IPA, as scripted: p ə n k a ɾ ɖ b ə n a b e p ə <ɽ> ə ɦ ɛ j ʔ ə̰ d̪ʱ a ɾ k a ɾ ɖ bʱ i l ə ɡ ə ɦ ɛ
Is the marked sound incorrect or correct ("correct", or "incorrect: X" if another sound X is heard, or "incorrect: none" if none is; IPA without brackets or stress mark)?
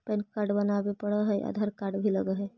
correct